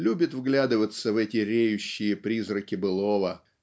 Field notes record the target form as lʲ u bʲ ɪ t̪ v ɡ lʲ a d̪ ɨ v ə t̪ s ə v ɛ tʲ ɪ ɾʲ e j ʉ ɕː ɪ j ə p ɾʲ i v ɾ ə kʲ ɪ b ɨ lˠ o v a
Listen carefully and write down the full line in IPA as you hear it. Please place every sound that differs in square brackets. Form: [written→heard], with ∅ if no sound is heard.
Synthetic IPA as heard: lʲ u bʲ ɪ t̪ v ɡ lʲ a d̪ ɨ v ə t̪ s ə v ɛ tʲ ɪ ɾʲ e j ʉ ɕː ɪ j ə p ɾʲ i [v→z] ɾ ə kʲ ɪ b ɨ lˠ o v [a→ə]